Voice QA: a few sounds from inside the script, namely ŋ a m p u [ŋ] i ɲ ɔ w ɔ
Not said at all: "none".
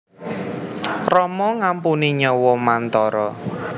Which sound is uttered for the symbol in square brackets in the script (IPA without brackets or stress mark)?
n